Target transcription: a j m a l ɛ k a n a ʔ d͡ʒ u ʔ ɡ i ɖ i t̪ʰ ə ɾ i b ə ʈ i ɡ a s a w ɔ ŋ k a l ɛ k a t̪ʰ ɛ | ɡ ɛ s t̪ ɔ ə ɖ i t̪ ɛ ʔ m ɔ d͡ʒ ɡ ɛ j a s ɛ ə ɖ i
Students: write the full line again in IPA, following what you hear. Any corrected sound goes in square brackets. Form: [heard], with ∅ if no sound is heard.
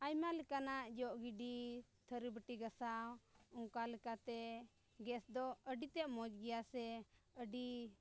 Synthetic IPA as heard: a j m a l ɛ k a n a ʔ d͡ʒ [ɔ] ʔ ɡ i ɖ i t̪ʰ ə ɾ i b ə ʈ i ɡ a s a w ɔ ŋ k a l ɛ k a [t̪] ɛ | ɡ ɛ s [d̪] ɔ ə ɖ i t̪ ɛ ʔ m ɔ d͡ʒ ɡ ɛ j a s ɛ ə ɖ i